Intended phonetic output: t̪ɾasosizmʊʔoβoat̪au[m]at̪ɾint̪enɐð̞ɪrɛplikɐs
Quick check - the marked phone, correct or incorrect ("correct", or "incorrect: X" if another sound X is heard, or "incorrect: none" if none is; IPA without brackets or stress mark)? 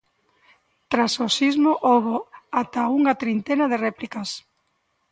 incorrect: ŋ